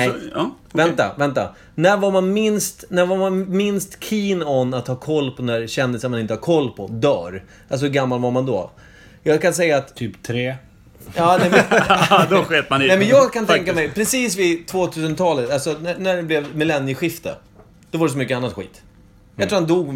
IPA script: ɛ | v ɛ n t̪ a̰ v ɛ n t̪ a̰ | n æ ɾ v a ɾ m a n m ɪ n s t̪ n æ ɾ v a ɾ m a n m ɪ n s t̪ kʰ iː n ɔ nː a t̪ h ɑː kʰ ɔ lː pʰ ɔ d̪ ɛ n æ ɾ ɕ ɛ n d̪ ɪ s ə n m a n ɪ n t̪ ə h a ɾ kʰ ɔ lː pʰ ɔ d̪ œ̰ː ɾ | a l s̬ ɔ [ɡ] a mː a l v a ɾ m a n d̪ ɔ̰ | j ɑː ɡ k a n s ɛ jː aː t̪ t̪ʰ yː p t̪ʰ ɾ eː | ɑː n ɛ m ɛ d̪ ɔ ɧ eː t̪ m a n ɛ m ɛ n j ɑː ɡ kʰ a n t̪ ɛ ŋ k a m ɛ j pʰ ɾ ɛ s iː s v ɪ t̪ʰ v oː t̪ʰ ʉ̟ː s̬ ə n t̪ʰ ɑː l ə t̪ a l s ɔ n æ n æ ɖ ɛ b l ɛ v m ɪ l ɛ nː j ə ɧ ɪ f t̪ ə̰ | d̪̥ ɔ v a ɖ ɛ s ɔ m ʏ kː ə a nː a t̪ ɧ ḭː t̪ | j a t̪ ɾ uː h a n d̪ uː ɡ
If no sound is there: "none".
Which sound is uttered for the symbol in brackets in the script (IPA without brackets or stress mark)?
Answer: ɡ